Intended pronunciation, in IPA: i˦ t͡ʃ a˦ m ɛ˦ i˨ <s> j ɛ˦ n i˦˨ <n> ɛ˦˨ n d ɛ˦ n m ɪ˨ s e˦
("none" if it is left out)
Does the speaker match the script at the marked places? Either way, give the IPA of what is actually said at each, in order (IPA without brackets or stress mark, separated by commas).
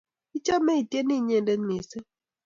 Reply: t, ɲ